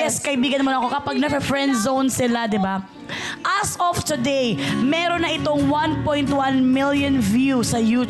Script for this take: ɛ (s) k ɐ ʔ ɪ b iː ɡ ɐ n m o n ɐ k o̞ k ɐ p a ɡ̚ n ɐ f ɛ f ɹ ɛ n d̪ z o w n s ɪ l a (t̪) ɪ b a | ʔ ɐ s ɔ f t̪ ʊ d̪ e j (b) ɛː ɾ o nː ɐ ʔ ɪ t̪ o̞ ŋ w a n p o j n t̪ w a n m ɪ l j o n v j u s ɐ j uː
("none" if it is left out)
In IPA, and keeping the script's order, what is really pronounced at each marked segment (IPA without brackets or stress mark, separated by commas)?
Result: s, d̪, m